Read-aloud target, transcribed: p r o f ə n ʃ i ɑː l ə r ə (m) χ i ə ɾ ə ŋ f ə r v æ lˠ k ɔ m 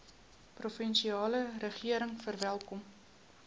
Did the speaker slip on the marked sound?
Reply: yes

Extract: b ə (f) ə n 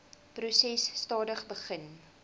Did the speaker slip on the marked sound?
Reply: yes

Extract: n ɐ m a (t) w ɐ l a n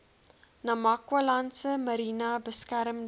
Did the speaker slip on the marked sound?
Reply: yes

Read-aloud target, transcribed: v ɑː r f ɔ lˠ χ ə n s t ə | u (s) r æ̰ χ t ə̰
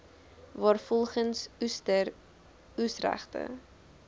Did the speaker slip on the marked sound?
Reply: no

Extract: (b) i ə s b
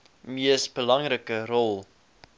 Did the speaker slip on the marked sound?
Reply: yes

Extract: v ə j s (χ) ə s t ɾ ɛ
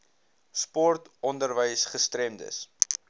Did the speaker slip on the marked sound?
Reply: no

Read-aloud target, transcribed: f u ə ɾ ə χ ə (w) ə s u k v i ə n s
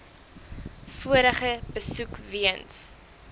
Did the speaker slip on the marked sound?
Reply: yes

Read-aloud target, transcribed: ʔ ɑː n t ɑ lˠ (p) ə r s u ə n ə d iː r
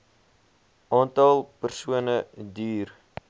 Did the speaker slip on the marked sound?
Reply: no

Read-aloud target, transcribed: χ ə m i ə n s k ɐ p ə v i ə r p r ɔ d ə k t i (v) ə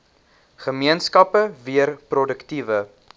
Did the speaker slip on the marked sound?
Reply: no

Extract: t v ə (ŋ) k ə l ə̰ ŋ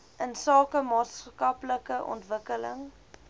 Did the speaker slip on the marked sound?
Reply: yes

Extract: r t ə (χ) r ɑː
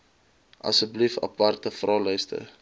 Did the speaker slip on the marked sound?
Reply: yes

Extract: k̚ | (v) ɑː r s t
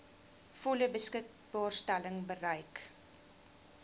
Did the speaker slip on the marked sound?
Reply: yes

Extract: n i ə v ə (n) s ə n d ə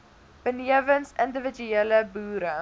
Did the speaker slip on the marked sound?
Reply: no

